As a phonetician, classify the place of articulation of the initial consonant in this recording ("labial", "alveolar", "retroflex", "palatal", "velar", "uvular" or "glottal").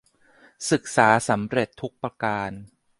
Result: alveolar